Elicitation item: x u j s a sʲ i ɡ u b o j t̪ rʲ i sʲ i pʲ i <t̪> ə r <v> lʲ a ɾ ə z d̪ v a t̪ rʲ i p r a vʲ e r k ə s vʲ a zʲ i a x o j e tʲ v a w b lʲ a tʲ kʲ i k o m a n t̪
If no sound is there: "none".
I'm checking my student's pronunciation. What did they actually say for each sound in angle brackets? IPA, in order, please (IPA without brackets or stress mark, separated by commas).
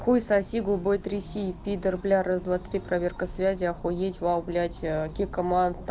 d̪, b